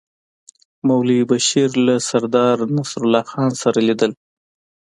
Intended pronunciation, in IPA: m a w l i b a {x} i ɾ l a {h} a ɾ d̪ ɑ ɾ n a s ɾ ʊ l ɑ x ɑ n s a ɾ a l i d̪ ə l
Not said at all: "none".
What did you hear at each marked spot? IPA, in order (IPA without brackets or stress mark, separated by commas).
ʃ, s